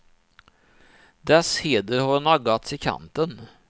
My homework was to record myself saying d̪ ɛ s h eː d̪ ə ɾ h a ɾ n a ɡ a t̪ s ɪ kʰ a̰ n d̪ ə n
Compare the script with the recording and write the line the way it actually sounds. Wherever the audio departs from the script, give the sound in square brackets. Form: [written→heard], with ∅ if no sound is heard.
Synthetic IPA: d̪ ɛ s h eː d̪ ə ɾ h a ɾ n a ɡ a t̪ s ɪ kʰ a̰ n [d̪→t̪] ə n